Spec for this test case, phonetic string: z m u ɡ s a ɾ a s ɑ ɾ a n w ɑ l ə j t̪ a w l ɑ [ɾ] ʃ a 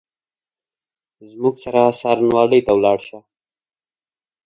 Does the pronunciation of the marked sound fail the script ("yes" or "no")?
yes